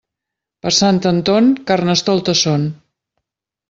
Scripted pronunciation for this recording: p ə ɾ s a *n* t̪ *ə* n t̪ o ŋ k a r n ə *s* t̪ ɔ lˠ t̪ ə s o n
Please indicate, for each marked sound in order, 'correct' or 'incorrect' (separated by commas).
correct, correct, correct